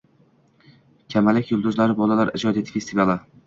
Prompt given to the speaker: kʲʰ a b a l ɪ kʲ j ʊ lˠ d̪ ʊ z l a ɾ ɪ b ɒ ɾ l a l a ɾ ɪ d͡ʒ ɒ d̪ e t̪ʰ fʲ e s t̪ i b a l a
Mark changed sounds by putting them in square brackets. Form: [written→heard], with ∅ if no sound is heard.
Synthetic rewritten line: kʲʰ a [b→m] a l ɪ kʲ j ʊ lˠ d̪ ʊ z l a ɾ ɪ b ɒ [ɾ→∅] l a l a ɾ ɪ d͡ʒ ɒ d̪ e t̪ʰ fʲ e s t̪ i [b→v] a l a